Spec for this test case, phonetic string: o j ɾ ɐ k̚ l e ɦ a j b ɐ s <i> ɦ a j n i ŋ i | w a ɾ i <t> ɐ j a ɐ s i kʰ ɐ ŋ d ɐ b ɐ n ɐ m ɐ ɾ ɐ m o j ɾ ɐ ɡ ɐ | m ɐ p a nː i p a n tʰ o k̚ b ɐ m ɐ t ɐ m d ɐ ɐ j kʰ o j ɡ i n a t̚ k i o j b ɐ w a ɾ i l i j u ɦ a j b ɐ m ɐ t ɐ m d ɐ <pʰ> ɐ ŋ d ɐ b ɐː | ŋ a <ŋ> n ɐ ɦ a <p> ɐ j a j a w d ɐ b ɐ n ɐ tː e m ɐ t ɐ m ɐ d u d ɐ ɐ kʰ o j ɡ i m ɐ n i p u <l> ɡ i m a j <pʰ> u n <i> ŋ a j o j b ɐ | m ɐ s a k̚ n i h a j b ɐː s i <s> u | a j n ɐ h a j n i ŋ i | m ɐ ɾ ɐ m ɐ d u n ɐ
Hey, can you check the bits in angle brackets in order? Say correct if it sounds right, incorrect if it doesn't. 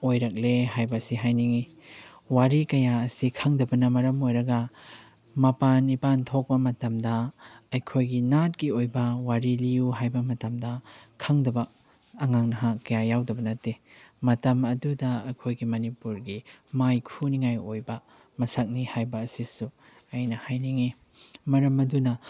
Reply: correct, incorrect: k, incorrect: kʰ, correct, incorrect: k, incorrect: ɾ, incorrect: kʰ, correct, correct

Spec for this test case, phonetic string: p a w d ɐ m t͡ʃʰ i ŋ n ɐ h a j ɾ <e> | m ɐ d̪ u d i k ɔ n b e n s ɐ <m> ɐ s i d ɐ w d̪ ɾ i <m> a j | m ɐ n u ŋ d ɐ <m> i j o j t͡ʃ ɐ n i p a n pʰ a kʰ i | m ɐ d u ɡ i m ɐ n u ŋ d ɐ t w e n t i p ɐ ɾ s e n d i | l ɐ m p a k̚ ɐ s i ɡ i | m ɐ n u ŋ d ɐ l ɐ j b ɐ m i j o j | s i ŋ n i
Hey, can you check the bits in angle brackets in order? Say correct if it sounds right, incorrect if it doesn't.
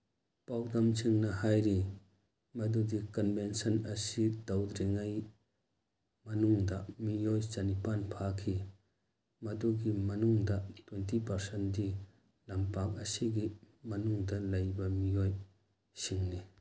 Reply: incorrect: i, incorrect: n, incorrect: ŋ, correct

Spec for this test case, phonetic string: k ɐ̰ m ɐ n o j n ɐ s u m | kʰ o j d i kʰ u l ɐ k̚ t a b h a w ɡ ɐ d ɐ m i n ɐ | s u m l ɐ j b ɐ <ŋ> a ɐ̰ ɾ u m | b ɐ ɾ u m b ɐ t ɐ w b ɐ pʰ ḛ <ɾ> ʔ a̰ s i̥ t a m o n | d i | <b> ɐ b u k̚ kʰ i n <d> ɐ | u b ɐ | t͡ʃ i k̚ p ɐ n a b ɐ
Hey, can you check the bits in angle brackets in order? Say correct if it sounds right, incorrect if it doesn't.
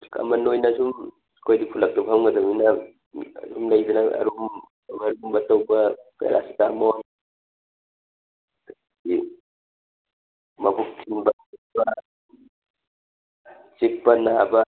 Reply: incorrect: n, correct, incorrect: m, incorrect: b

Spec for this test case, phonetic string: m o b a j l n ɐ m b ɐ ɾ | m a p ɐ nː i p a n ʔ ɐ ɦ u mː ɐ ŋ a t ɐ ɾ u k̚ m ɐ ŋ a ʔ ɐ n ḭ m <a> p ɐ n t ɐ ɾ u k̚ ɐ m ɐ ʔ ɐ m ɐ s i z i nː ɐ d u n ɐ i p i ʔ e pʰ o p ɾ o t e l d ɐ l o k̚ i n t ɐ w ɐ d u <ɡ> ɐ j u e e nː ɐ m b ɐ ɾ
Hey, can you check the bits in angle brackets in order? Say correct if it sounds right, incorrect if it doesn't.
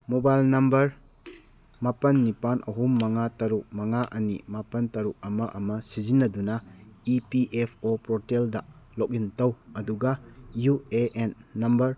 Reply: correct, correct

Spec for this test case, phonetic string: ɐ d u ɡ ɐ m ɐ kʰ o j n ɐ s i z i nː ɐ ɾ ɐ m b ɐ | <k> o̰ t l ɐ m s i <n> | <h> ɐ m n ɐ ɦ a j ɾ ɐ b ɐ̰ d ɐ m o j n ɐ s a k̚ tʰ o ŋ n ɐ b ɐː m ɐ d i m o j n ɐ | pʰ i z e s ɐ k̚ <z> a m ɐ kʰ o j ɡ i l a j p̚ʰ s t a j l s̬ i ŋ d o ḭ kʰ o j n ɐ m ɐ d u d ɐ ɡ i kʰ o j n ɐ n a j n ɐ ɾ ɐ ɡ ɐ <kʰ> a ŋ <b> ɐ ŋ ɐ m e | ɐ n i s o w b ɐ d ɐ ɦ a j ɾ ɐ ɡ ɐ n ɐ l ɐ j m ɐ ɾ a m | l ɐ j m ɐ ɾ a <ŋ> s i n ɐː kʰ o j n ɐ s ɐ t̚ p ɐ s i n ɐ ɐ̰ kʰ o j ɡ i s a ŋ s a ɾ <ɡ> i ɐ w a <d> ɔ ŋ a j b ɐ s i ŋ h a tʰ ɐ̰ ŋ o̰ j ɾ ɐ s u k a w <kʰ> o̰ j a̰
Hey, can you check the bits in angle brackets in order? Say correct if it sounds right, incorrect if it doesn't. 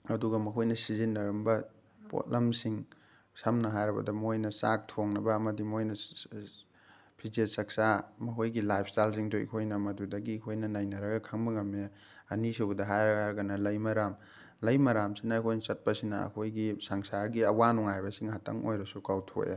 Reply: incorrect: p, incorrect: ŋ, incorrect: s, incorrect: s, correct, correct, incorrect: m, correct, incorrect: n, incorrect: tʰ

